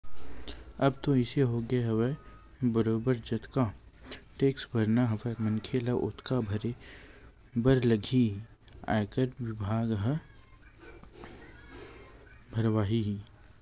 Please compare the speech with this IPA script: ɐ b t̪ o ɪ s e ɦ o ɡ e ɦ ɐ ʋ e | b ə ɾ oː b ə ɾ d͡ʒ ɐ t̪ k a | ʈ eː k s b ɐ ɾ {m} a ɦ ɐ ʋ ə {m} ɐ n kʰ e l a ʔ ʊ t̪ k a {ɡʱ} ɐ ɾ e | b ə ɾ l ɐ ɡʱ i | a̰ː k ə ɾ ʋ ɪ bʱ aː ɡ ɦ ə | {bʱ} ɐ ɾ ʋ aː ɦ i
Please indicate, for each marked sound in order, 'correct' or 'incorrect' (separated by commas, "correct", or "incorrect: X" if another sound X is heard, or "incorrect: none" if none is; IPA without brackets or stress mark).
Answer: incorrect: n, correct, incorrect: bʱ, correct